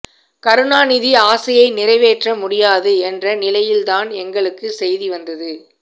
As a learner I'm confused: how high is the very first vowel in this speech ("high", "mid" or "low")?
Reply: low